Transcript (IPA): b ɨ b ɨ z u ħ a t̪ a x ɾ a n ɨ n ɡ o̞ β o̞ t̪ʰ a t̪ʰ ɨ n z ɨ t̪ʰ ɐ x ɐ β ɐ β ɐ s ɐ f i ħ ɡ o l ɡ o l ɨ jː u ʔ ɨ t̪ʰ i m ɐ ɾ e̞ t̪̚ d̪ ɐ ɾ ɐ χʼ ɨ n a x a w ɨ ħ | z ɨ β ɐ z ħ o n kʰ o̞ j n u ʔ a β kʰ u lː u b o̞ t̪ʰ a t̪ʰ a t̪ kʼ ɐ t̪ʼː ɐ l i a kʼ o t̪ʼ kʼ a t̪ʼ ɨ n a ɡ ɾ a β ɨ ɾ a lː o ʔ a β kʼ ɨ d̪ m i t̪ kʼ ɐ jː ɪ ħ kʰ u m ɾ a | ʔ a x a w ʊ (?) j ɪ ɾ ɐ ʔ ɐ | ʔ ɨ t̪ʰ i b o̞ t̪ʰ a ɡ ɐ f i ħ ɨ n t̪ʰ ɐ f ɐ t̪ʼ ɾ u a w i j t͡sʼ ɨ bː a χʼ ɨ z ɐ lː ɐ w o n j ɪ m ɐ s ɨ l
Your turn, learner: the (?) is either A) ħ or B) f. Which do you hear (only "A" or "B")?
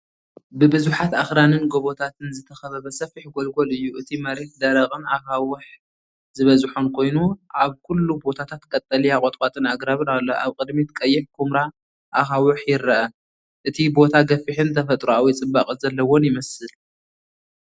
A